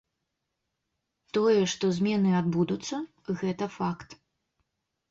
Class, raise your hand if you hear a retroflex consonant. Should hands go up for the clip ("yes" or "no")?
yes